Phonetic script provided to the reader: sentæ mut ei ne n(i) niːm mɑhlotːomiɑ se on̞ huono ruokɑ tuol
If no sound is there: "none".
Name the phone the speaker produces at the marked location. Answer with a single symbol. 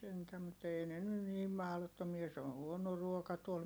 y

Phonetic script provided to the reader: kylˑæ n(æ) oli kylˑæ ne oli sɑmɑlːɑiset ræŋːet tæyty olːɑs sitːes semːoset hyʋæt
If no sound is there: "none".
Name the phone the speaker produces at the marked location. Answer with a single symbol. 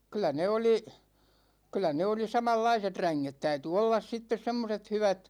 e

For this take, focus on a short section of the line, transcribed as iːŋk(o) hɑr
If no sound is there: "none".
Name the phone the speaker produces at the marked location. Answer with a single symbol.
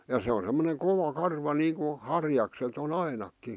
u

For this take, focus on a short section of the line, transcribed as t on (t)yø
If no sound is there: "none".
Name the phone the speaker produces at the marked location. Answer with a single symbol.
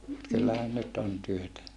t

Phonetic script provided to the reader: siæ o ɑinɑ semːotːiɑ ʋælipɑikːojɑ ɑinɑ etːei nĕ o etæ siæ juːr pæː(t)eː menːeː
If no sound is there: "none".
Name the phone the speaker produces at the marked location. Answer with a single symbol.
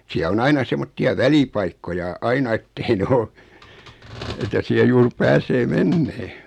s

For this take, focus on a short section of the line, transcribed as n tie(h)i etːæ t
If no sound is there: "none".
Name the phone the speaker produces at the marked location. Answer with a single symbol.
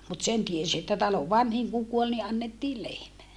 s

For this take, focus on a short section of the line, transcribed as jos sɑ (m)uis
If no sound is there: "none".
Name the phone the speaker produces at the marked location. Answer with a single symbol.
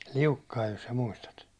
m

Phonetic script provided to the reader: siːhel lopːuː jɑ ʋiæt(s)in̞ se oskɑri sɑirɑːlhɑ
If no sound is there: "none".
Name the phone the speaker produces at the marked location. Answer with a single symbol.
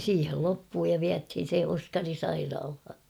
h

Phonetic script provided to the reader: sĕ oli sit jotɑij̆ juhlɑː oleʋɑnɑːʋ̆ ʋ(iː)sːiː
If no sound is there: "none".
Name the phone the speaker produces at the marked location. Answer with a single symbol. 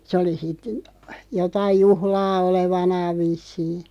i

